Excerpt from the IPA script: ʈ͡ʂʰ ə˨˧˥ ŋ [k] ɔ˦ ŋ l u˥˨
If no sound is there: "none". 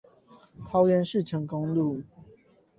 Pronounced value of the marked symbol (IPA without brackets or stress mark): k